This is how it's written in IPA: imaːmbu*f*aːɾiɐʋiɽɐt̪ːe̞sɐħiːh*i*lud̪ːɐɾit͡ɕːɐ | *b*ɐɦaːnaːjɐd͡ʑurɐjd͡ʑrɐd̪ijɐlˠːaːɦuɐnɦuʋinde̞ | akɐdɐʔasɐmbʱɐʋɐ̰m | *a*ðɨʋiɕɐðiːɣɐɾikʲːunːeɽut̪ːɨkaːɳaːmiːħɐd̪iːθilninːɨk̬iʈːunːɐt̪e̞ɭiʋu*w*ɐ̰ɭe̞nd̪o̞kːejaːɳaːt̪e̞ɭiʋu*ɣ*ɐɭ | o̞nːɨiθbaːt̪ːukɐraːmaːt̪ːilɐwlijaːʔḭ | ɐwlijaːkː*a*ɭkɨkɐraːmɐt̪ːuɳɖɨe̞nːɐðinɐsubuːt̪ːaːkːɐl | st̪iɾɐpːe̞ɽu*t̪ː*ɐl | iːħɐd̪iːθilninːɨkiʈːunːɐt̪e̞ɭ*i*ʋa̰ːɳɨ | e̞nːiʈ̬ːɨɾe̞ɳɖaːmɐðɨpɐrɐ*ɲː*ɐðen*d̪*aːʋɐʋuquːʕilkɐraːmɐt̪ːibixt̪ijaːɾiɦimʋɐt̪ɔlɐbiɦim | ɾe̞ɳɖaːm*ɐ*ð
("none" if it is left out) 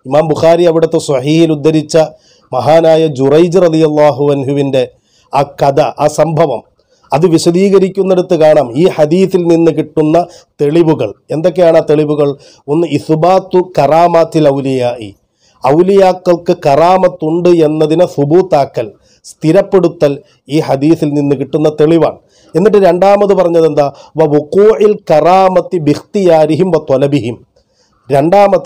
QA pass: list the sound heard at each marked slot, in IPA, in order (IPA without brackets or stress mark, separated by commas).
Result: x, i, m, ɐ, ɣ, ɣ, ɐ, t̪ː, i, ɲː, d̪, ɐ